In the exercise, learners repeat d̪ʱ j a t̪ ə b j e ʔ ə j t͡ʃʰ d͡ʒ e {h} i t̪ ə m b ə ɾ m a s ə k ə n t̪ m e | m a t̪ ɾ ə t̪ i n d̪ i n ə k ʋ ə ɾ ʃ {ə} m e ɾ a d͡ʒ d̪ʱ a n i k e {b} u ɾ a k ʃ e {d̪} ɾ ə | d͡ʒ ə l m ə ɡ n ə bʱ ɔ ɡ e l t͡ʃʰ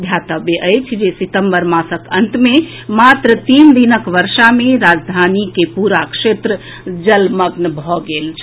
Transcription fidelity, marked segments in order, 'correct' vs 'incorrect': incorrect: s, incorrect: a, incorrect: p, incorrect: t̪

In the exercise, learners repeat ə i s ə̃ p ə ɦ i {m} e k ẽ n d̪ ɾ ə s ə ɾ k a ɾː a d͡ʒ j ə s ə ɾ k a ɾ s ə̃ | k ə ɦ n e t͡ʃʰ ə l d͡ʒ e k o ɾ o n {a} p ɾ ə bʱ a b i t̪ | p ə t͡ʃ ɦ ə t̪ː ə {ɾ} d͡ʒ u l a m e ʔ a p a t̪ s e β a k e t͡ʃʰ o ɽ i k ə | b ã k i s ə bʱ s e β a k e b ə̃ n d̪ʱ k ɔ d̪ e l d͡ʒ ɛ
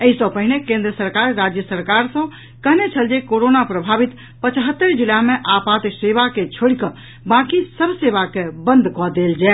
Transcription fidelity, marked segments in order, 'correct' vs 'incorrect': incorrect: n, correct, correct

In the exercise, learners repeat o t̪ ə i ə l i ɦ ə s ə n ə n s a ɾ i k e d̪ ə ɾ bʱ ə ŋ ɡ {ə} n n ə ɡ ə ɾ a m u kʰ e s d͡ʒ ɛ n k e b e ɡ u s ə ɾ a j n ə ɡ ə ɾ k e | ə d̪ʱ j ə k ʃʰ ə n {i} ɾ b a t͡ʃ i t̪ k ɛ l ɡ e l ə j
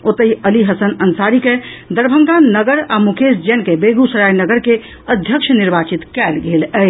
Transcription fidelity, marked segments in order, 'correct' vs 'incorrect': incorrect: a, correct

